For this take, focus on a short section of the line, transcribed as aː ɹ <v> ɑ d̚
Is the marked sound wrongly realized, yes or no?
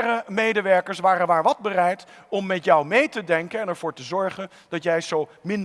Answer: yes